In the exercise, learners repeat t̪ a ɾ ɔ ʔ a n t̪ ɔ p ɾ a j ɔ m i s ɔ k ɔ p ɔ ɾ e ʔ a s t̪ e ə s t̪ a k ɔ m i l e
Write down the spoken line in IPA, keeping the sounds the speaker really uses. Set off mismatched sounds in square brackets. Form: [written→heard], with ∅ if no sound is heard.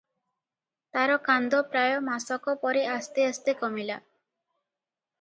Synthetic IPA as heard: t̪ a ɾ ɔ [ʔ→k] a n [t̪→d̪] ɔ p ɾ a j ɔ m [i→a] s ɔ k ɔ p ɔ ɾ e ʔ a s t̪ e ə s t̪ [a→e] k ɔ m i l [e→a]